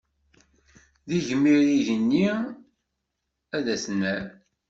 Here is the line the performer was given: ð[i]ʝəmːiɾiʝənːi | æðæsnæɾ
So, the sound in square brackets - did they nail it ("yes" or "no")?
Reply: yes